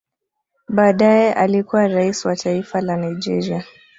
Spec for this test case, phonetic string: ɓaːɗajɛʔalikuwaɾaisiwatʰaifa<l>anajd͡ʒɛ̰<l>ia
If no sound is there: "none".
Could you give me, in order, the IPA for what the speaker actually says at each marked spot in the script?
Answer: l, ɾ

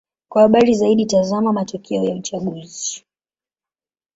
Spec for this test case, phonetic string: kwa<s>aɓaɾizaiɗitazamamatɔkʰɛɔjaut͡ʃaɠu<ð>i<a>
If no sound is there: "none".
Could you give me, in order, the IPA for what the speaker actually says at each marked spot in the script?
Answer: h, z, i

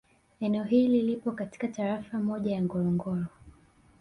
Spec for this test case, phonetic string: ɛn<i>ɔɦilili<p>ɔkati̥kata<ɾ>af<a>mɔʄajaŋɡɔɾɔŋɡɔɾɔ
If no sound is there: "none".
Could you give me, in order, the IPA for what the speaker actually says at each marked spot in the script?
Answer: ɛ, p, ɾ, a

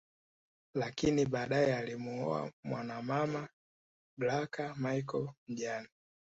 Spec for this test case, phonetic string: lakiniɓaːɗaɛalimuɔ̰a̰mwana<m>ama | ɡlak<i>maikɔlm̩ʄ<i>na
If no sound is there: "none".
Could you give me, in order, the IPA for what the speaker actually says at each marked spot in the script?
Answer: m, a, a

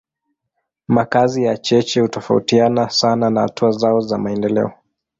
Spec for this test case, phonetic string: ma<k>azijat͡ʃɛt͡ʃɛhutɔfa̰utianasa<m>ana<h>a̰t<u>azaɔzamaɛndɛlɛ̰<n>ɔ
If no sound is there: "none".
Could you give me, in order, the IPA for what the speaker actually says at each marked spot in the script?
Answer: k, n, h, u, none

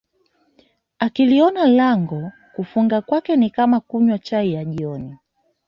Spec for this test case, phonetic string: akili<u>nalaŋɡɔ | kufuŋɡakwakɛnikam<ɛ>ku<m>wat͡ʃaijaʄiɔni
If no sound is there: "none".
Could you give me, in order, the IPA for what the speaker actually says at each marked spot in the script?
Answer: ɔ, a, ɲ

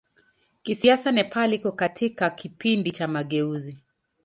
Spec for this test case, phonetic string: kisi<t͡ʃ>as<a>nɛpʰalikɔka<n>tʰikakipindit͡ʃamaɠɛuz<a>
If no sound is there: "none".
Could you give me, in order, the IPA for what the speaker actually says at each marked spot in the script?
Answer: none, a, none, i

